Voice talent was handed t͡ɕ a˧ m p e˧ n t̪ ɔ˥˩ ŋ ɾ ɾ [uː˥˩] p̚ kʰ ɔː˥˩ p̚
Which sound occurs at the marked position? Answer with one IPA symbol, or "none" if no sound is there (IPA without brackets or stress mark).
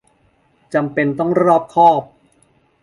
ɔː˥˩